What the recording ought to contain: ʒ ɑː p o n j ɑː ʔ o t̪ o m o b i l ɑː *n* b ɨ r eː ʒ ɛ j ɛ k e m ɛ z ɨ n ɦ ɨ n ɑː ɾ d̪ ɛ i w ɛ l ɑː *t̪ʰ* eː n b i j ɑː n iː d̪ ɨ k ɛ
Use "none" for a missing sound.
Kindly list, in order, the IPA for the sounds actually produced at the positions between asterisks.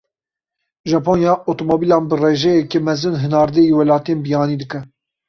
n, t̪

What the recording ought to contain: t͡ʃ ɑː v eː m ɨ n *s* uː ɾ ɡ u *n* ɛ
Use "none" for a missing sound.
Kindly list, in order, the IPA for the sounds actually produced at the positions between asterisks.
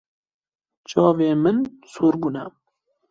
s, n

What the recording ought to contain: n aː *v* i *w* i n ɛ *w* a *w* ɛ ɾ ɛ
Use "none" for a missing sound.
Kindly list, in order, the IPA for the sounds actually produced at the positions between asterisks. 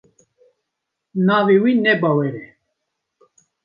v, w, b, w

